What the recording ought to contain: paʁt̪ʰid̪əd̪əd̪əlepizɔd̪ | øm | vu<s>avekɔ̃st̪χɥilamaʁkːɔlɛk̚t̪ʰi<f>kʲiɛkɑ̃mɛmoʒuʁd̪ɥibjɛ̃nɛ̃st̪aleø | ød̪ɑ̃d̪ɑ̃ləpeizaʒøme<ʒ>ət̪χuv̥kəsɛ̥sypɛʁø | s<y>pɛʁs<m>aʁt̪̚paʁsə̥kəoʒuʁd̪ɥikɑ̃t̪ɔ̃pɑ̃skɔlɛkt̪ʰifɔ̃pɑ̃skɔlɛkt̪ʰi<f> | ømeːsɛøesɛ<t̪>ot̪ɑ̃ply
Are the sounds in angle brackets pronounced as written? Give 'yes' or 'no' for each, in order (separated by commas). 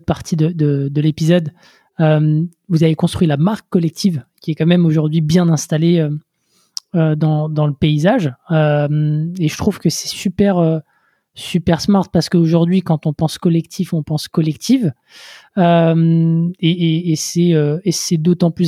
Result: no, no, yes, yes, yes, no, no